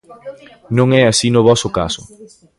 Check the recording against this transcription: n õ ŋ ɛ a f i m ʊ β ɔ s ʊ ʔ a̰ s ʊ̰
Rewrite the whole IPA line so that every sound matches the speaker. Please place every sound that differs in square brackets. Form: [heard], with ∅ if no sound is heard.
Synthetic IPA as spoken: n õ ŋ ɛ a [s] i [n] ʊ β ɔ s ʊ [k] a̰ s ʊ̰